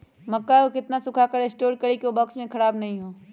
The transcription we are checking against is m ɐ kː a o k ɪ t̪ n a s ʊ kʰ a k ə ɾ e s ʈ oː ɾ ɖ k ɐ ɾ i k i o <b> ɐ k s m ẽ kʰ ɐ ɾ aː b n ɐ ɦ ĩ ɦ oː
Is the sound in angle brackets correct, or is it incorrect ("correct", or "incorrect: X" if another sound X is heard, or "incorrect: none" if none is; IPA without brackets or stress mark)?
correct